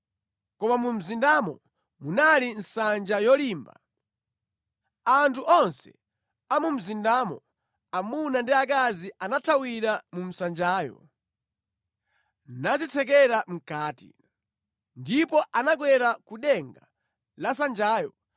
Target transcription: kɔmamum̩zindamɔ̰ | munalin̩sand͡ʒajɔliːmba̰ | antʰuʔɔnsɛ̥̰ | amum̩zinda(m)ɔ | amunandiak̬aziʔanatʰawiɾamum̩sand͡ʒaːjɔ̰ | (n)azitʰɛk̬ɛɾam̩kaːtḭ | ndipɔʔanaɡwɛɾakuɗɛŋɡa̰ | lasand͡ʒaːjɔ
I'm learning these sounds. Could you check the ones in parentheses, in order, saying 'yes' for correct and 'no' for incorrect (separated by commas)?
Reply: yes, yes